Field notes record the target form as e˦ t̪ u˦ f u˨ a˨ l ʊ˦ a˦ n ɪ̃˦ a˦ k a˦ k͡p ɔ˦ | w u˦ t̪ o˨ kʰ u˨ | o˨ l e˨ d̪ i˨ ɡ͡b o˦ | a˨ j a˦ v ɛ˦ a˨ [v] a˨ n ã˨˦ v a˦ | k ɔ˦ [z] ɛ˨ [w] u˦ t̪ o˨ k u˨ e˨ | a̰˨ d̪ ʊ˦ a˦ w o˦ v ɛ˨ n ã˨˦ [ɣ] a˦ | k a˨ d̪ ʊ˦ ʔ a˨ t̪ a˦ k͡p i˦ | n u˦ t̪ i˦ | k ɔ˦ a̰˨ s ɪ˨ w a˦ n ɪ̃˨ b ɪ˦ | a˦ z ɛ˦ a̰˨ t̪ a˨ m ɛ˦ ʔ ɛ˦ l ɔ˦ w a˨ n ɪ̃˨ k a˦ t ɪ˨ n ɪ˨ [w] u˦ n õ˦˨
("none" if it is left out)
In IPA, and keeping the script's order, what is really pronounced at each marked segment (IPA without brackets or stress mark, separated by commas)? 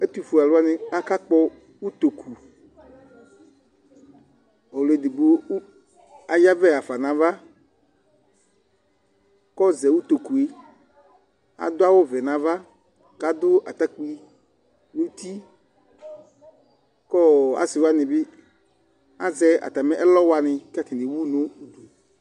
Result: f, z, w, v, w